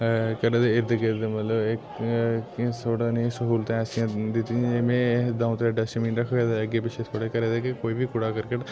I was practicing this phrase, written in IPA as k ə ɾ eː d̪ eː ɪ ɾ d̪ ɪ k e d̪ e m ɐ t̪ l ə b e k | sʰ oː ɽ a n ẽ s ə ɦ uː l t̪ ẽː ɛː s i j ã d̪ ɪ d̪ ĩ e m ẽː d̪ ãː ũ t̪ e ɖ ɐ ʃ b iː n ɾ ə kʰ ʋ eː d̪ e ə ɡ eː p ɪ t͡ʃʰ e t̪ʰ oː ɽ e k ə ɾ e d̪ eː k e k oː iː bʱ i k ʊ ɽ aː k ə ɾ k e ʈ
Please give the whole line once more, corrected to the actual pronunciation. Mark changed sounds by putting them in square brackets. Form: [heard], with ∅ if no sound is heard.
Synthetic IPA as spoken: k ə ɾ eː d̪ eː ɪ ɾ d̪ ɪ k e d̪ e m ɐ t̪ l ə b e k | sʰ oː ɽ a n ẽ s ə ɦ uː l t̪ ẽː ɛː s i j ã d̪ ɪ [t̪] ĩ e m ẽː d̪ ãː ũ t̪ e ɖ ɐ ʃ [m] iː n ɾ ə kʰ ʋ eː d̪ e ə ɡ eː p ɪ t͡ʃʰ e t̪ʰ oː ɽ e k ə ɾ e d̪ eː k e k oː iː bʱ i k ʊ ɽ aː k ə ɾ k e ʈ